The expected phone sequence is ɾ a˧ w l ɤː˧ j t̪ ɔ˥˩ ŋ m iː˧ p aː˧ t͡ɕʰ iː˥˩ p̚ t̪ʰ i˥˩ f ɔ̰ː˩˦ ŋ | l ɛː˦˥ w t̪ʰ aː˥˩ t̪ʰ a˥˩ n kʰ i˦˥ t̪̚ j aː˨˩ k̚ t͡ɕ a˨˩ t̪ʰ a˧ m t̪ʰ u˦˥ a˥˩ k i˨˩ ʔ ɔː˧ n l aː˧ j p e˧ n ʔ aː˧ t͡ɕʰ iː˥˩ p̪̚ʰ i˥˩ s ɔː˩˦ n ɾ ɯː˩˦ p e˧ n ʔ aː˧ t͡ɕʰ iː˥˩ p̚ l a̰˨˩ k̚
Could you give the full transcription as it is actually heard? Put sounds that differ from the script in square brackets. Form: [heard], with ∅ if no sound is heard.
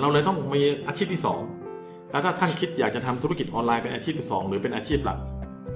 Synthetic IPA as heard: ɾ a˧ w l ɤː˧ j t̪ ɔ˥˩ ŋ m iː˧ [ʔ] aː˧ t͡ɕʰ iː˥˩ p̚ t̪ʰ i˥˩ [s] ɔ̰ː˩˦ ŋ | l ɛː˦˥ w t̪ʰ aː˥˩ t̪ʰ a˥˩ n kʰ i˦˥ t̪̚ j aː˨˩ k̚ t͡ɕ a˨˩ t̪ʰ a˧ m t̪ʰ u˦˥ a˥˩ k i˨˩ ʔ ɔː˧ n l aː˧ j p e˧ n ʔ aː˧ t͡ɕʰ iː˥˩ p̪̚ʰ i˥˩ s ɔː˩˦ [ŋ] ɾ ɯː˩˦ p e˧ n ʔ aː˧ t͡ɕʰ iː˥˩ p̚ l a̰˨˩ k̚